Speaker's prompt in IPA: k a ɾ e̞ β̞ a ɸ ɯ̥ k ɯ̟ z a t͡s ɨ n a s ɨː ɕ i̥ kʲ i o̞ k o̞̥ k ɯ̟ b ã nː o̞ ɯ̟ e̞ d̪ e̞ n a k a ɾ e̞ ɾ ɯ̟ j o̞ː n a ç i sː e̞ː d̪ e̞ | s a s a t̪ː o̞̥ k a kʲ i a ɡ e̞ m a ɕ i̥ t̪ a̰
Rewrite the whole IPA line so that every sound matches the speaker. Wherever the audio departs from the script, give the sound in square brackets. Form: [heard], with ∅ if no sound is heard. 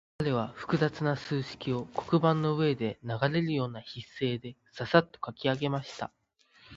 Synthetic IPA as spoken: k a ɾ e̞ β̞ a ɸ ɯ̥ k ɯ̟ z a t͡s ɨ n a s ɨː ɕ i̥ kʲ i o̞ k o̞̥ k ɯ̟ b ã nː o̞ ɯ̟ e̞ d̪ e̞ n a [ɡ] a ɾ e̞ ɾ ɯ̟ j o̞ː n a ç i sː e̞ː d̪ e̞ | s a s a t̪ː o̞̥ k a kʲ i a ɡ e̞ m a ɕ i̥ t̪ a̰